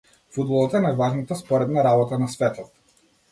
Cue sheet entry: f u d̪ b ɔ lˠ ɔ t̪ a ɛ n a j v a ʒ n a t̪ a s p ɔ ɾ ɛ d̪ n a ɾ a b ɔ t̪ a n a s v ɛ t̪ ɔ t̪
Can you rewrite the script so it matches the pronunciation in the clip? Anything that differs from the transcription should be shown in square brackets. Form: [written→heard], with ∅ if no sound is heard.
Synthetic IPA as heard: f u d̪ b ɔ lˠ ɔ t̪ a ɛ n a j v a ʒ n a t̪ a s p ɔ ɾ ɛ d̪ n a ɾ a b ɔ t̪ a n a s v ɛ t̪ ɔ t̪